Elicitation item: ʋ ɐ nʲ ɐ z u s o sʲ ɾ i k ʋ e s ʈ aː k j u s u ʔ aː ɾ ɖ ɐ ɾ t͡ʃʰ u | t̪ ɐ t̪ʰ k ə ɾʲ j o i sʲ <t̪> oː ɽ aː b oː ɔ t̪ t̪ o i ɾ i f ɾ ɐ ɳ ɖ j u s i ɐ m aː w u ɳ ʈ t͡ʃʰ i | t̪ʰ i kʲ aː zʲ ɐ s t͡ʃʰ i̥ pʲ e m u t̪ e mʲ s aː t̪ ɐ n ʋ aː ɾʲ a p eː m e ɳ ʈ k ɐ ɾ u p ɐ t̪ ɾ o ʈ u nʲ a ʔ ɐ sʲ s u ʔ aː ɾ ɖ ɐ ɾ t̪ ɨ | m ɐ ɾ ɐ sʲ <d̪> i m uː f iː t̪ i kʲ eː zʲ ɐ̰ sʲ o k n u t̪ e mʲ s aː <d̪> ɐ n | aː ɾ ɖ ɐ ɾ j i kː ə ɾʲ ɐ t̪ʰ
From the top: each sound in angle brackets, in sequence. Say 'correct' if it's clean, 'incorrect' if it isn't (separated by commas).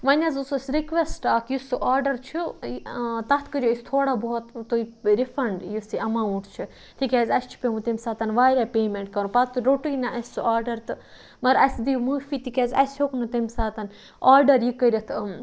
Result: incorrect, correct, incorrect